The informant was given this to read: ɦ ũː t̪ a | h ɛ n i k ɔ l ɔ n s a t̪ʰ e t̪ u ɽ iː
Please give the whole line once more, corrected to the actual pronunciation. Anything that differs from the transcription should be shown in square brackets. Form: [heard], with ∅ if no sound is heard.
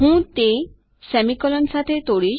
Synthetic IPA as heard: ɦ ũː t̪ [e] | [s] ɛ [m] i k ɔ l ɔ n s a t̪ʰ e t̪ [o] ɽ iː